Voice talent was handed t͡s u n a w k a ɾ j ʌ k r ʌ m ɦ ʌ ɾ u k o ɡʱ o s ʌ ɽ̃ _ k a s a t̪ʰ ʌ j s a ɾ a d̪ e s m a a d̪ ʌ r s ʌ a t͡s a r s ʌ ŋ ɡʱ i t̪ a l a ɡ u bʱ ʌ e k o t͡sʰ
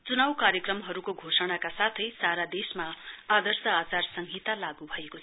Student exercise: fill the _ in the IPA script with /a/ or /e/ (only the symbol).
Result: a